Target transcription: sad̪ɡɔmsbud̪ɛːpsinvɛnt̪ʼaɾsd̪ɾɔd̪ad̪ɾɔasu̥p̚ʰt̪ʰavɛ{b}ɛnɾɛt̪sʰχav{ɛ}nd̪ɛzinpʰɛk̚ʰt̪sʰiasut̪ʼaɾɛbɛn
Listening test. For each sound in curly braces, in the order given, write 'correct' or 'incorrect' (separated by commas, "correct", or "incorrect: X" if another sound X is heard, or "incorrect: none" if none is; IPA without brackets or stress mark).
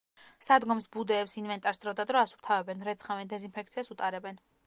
correct, correct